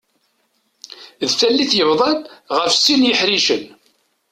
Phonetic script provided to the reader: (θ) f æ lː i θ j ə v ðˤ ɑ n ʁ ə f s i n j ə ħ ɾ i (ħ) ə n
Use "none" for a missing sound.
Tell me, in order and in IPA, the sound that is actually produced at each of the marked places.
ð, ʃ

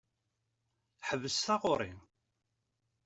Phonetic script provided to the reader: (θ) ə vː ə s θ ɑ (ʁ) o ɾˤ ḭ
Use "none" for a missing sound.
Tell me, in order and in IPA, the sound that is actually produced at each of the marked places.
ħ, ʁ

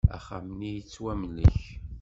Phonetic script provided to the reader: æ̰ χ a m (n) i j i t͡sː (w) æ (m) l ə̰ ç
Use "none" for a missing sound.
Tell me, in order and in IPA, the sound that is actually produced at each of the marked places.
n, w, m

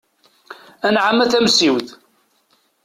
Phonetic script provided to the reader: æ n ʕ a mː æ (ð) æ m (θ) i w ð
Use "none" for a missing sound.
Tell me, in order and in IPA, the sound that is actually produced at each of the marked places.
θ, s

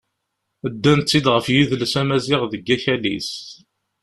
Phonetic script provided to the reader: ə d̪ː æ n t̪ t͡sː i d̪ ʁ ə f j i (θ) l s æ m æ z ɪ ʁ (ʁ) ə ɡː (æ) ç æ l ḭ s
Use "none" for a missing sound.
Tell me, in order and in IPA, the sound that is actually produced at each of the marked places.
ð, ð, æ

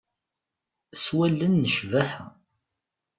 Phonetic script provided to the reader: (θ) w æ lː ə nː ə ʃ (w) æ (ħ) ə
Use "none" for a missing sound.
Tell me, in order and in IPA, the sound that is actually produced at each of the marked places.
s, v, ħ

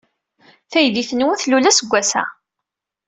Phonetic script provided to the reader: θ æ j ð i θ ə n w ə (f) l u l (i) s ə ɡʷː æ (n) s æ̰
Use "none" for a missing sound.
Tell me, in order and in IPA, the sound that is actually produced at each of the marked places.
θ, æ, none

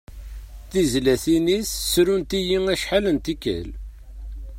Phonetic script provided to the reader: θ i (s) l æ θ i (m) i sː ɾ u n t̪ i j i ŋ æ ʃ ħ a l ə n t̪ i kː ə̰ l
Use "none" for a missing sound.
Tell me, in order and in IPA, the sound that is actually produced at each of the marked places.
z, n

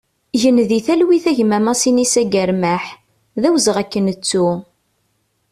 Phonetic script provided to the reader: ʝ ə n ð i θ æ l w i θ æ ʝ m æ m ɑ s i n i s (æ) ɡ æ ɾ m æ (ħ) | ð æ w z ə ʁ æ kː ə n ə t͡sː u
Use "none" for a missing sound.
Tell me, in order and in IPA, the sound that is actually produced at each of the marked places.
æ, ħ

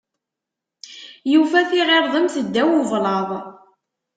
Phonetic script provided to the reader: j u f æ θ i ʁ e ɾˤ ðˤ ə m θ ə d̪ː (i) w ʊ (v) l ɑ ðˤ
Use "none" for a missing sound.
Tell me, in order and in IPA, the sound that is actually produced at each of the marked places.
æ, v

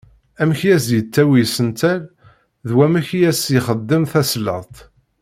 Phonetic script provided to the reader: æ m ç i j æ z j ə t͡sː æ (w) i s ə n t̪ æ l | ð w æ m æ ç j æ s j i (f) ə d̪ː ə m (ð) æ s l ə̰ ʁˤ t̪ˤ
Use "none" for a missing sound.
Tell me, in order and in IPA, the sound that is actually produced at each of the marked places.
w, χ, θ

